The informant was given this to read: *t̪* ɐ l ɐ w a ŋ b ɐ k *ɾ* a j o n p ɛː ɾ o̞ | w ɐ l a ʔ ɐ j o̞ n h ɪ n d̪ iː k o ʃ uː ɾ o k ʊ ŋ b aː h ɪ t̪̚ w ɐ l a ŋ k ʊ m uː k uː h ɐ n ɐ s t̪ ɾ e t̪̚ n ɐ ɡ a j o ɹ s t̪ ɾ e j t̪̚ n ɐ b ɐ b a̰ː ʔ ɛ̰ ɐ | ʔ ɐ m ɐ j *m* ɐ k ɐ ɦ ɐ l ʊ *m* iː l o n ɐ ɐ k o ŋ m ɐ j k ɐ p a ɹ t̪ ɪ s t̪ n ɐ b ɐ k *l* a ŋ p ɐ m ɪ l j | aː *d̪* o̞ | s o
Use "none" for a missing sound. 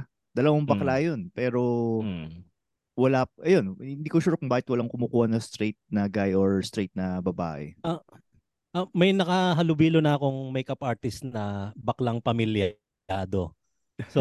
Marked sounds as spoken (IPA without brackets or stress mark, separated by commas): d̪, l, n, b, l, d̪